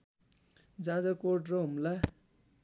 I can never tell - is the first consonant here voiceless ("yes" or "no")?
no